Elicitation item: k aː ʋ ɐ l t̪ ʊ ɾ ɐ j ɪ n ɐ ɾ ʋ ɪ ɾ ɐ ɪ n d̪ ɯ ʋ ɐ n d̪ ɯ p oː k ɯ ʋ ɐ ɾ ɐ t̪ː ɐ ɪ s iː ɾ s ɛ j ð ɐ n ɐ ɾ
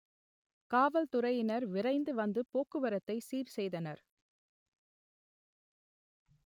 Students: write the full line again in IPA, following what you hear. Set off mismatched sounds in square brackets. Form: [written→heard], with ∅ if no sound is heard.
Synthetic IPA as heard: k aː ʋ ɐ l t̪ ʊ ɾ ɐ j ɪ n ɐ ɾ ʋ ɪ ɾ ɐ ɪ n d̪ ɯ ʋ ɐ n d̪ ɯ p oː k ɯ ʋ ɐ ɾ ɐ t̪ː ɐ ɪ s iː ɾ s ɛ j ð ɐ n ɐ ɾ